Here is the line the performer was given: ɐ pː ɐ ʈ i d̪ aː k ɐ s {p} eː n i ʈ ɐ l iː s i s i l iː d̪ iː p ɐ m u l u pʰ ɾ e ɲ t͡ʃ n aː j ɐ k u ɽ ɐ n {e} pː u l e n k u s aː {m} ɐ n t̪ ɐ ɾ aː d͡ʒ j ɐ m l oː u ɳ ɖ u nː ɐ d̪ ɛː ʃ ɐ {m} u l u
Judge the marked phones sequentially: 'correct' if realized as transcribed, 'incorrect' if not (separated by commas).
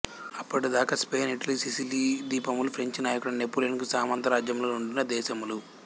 correct, correct, correct, correct